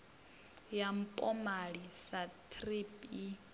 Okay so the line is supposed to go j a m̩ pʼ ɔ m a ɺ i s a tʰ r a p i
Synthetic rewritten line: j a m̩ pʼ ɔ m a ɺ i s a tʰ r i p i